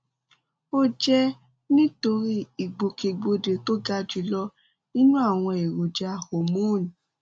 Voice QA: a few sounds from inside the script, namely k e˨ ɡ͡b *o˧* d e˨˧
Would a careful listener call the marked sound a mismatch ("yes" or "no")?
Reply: no